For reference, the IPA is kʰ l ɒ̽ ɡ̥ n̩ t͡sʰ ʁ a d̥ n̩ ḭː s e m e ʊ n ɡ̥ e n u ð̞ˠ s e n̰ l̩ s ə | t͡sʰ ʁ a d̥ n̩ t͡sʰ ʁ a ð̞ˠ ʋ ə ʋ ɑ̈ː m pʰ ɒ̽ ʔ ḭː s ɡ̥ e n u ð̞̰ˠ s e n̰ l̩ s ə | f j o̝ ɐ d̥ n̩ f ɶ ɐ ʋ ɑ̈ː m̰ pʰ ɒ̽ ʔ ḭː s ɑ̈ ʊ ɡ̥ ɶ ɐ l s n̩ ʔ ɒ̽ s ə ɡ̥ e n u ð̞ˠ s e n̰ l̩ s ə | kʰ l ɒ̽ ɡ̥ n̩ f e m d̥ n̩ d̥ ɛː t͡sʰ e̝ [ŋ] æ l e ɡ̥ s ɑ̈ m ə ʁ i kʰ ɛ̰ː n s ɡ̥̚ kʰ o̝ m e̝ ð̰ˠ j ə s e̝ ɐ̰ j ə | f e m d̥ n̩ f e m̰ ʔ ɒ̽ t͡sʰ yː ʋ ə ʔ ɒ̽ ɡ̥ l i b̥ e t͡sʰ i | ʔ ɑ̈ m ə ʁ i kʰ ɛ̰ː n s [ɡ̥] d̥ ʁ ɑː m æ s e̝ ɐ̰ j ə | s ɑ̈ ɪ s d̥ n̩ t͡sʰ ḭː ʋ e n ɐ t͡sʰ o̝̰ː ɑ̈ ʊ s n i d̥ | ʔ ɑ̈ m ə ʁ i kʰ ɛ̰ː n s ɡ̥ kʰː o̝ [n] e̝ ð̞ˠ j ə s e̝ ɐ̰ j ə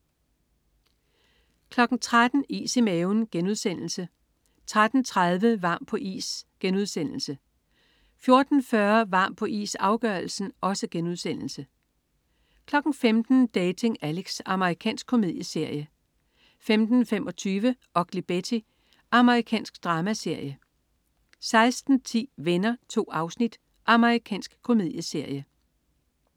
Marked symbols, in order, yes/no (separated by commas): yes, yes, no